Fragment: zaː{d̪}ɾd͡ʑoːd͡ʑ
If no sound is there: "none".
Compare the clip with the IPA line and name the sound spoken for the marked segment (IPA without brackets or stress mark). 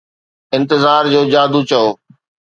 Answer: none